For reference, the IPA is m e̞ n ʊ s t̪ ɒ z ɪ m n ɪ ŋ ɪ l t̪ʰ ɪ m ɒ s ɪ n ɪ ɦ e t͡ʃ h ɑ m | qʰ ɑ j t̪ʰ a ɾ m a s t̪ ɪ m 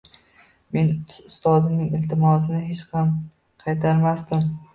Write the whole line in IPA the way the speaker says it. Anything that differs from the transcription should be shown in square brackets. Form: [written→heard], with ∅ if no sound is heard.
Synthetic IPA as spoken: m e̞ n ʊ s t̪ ɒ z ɪ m n ɪ ŋ ɪ l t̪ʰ ɪ m ɒ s ɪ n ɪ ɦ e t͡ʃ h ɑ m | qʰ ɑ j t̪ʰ a ɾ m a s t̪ ɪ m